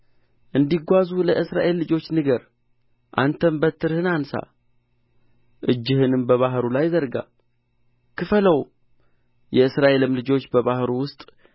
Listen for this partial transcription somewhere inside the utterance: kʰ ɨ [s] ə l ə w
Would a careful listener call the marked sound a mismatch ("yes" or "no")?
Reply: yes